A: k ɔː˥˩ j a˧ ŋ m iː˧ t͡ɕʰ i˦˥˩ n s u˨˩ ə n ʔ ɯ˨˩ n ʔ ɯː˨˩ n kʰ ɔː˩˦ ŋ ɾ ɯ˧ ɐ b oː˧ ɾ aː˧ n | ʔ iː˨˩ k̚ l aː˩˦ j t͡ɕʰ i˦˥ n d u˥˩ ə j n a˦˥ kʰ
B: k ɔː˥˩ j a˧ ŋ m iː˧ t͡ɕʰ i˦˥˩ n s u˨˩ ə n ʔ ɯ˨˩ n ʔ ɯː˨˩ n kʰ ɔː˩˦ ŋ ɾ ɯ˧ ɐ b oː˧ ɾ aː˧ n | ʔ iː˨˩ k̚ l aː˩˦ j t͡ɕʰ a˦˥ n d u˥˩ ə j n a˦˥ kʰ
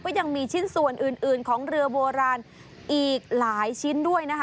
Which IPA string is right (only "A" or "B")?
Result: A